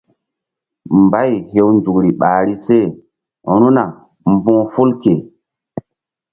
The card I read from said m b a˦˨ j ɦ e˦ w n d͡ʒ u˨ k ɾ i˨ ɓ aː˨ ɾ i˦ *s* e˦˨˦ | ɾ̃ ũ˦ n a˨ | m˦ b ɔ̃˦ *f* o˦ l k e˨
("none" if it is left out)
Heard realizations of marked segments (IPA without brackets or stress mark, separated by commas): s, f